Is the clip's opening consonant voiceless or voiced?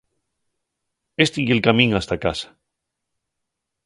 voiceless